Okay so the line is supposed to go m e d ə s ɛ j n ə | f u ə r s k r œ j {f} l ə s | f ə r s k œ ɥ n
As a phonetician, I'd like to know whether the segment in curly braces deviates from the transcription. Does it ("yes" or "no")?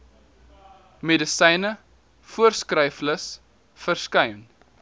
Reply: no